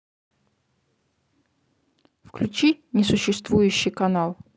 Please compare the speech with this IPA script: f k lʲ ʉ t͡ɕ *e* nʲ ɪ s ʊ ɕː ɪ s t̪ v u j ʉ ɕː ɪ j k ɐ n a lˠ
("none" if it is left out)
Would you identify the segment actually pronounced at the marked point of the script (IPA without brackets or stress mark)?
i